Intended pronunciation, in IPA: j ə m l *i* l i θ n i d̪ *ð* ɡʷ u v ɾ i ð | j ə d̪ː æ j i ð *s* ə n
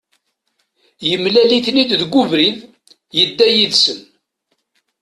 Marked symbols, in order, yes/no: no, yes, yes

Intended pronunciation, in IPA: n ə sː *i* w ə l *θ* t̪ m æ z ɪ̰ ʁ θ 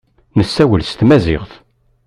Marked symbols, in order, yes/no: no, no

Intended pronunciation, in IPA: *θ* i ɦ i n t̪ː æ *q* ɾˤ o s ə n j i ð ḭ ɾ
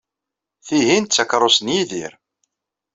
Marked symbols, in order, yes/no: yes, no

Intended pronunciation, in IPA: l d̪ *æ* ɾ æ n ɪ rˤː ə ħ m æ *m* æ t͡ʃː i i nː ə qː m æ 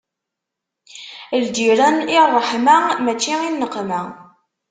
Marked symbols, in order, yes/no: no, yes

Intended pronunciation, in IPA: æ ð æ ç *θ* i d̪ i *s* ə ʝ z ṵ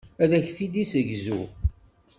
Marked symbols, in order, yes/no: yes, yes

